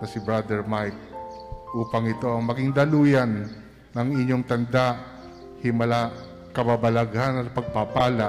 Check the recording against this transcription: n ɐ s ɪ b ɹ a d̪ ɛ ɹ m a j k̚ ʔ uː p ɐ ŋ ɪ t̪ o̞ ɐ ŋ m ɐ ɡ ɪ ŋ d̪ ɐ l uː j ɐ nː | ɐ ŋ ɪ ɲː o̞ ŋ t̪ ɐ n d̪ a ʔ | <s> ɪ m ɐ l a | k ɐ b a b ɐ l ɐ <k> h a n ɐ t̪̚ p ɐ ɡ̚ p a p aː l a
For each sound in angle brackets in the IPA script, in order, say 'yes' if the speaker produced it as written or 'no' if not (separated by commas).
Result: no, no